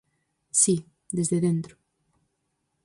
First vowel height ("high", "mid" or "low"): high